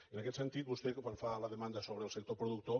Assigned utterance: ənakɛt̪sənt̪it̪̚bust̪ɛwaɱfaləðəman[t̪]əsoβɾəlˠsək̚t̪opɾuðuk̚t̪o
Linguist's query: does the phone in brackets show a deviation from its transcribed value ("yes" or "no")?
yes